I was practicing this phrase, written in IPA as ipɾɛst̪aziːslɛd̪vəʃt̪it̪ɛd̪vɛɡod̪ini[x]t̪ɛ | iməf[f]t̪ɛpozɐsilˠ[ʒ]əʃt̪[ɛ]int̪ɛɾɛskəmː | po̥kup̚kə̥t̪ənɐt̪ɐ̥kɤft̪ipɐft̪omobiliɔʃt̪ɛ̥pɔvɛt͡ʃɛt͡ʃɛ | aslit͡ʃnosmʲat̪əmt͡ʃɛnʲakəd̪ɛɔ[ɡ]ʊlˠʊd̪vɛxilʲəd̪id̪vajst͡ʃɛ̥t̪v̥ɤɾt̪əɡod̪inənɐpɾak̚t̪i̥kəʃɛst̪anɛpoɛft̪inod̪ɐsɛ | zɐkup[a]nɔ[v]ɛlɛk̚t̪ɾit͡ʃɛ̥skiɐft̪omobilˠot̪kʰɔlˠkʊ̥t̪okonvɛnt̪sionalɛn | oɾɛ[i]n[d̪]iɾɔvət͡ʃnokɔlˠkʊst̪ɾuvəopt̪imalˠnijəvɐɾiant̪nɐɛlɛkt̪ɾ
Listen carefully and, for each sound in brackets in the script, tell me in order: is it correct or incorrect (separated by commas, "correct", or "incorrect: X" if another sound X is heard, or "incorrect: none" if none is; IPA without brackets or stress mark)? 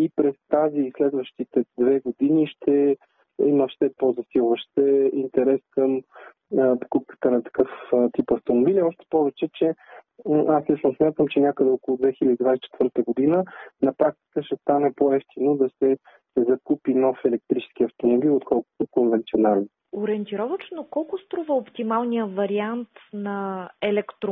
incorrect: ʃ, incorrect: ʃ, incorrect: v, correct, incorrect: k, incorrect: i, incorrect: f, incorrect: ɛ, incorrect: t̪